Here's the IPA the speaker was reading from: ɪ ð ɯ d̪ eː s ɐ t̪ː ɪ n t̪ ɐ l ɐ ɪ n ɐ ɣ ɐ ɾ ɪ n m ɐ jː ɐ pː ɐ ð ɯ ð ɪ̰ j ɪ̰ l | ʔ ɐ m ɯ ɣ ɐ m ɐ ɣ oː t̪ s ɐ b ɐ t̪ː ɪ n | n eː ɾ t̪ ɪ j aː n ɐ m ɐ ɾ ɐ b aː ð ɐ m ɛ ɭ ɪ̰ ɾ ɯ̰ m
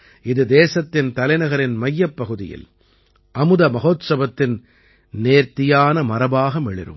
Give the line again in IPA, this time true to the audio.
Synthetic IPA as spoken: ɪ ð ɯ d̪ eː s ɐ t̪ː ɪ n t̪ ɐ l ɐ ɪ n ɐ ɣ ɐ ɾ ɪ n m ɐ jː ɐ pː ɐ ɣ ɯ ð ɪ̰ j ɪ̰ l | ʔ ɐ m ɯ ð ɐ m ɐ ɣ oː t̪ s ɐ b ɐ t̪ː ɪ n | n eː ɾ t̪ ɪ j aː n ɐ m ɐ ɾ ɐ b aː ɣ ɐ m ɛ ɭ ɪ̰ ɾ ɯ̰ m